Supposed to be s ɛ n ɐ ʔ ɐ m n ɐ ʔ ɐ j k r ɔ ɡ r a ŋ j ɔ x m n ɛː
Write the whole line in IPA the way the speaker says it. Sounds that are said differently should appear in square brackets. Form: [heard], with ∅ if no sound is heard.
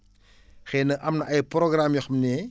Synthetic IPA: [x] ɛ n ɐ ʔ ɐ m n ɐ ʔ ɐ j [p] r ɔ ɡ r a [m] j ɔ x m n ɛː